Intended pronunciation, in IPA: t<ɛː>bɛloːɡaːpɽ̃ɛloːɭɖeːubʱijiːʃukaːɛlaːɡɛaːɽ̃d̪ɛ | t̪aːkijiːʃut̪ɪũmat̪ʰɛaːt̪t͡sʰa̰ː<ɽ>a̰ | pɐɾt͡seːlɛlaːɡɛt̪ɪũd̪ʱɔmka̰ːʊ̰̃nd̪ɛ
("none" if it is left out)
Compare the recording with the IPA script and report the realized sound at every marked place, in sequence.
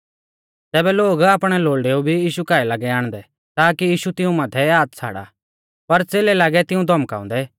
ɛː, ɽ

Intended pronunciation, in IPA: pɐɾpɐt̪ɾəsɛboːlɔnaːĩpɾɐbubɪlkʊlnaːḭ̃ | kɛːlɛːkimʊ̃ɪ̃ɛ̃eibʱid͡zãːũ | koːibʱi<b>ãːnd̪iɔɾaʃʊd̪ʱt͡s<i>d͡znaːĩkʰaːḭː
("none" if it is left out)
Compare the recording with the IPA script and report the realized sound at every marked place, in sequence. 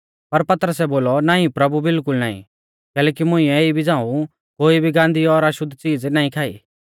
ɡ, iː

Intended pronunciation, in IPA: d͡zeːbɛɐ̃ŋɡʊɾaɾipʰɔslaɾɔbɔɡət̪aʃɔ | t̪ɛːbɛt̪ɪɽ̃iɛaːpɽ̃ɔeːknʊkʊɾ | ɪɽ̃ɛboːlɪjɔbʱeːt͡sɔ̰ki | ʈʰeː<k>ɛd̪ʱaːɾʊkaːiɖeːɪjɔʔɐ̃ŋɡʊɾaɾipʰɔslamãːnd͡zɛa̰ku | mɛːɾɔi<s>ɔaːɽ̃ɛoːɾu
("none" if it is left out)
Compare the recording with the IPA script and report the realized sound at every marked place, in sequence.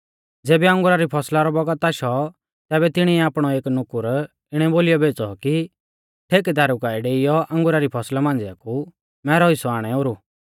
k, s

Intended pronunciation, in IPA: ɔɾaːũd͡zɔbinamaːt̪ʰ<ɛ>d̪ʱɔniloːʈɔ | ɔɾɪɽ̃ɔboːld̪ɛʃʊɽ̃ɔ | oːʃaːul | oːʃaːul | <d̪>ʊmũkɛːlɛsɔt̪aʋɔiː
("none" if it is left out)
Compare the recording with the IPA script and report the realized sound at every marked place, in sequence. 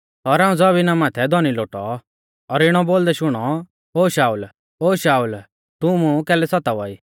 ɛ, t̪

